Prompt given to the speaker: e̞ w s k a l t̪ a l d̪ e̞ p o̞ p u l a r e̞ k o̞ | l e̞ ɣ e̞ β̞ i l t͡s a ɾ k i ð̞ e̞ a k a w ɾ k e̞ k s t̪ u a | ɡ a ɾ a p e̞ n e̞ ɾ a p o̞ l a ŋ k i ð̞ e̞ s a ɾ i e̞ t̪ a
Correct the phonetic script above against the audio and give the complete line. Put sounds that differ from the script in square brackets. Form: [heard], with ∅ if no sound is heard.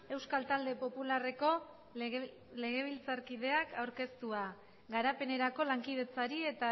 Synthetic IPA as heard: e̞ w s k a l t̪ a l d̪ e̞ p o̞ p u l a r e̞ k o̞ | l e̞ ɣ e̞ β̞ i l t͡s a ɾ k i ð̞ e̞ a k a w ɾ k e̞ [∅] s t̪ u a | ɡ a ɾ a p e̞ n e̞ ɾ a [k] o̞ l a ŋ k i ð̞ e̞ [t͡s] a ɾ i e̞ t̪ a